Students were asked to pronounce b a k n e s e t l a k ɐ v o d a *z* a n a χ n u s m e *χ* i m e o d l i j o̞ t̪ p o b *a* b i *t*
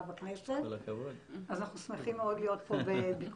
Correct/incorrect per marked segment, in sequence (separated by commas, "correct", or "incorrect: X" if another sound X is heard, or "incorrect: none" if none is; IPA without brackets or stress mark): correct, correct, incorrect: e, incorrect: k